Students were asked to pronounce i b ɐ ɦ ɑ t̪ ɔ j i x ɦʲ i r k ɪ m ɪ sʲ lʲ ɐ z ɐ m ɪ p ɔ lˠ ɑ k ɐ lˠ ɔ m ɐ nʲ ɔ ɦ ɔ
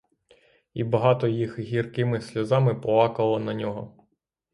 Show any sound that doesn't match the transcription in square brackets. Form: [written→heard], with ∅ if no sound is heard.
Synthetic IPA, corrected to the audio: i b ɐ ɦ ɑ t̪ ɔ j i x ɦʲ i r k ɪ m ɪ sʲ lʲ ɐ z [ɐ→ɑ] m ɪ p ɔ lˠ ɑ k ɐ lˠ ɔ [m→n] ɐ nʲ ɔ ɦ ɔ